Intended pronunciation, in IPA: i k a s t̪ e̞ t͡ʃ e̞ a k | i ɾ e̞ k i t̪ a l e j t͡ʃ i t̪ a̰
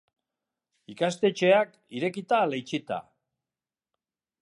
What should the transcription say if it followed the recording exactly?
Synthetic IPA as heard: i k a s t̪ e̞ t͡ʃ e̞ a k | i ɾ e̞ k i t̪ a l e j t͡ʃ i t̪ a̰